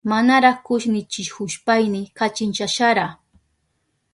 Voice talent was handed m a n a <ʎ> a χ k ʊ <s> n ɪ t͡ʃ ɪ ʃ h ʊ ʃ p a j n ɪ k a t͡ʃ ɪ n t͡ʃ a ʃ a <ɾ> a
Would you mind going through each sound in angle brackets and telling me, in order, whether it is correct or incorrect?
incorrect, incorrect, correct

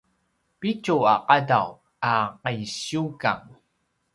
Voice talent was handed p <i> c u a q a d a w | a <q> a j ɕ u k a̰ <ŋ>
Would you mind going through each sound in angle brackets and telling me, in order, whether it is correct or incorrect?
correct, correct, correct

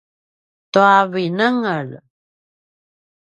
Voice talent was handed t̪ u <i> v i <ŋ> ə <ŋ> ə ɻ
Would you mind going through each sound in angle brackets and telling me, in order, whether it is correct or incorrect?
incorrect, incorrect, correct

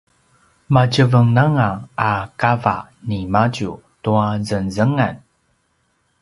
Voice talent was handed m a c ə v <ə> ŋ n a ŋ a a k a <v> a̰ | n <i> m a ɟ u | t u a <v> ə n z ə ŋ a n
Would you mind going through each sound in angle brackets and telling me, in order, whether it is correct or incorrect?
correct, correct, correct, incorrect

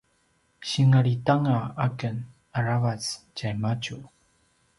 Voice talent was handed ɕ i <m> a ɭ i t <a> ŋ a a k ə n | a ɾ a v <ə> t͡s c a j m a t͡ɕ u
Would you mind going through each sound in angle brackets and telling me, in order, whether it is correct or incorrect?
incorrect, correct, incorrect

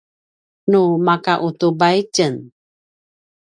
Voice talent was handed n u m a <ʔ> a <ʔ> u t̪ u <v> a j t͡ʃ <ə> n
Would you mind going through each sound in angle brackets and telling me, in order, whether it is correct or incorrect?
incorrect, correct, incorrect, correct

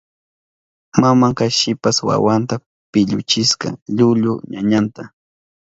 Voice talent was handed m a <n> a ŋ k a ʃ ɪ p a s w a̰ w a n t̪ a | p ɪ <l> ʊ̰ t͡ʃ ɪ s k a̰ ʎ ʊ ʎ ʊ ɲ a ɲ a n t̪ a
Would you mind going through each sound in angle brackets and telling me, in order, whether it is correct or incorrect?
incorrect, incorrect

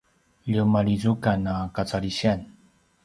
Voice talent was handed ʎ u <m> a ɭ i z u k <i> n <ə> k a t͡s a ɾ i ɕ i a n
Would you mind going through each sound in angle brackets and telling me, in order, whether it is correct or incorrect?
correct, incorrect, incorrect

